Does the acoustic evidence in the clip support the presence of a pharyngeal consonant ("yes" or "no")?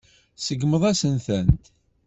no